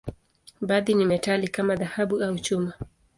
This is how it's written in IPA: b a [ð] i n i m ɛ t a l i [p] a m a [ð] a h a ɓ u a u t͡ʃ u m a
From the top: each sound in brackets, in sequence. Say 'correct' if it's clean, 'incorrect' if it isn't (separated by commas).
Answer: correct, incorrect, correct